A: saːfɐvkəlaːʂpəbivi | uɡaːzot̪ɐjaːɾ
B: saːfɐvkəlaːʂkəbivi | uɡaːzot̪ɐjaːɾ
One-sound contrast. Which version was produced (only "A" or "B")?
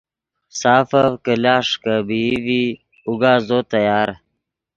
B